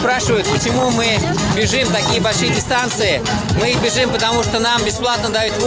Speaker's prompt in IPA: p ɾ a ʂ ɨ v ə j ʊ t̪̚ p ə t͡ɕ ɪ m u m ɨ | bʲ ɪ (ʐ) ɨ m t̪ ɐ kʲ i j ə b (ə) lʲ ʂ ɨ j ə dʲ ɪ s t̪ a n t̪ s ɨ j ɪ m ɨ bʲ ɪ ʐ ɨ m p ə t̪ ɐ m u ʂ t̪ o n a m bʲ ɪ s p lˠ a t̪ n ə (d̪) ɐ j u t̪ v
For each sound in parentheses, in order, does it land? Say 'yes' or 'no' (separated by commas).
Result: yes, no, yes